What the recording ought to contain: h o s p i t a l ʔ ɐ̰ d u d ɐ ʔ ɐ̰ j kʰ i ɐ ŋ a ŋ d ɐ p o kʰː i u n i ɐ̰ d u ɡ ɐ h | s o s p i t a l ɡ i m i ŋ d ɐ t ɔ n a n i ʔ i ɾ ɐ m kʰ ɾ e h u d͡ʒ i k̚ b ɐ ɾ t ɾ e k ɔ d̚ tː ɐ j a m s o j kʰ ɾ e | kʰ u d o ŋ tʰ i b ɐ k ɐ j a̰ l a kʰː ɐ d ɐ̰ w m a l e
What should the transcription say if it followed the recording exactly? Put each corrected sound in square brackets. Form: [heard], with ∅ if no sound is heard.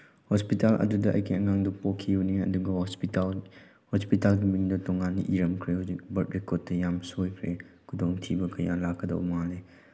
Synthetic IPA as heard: h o s p i t a l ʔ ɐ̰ d u d ɐ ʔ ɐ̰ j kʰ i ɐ ŋ a ŋ d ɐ p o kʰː i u n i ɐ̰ d u ɡ ɐ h | [h] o s p i t a l ɡ i m i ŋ d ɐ t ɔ [ŋ] a n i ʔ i ɾ ɐ m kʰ ɾ e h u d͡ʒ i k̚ b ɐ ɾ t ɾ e k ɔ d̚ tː ɐ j a m s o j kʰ ɾ e | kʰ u d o ŋ tʰ i b ɐ k ɐ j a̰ l a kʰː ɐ d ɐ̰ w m a l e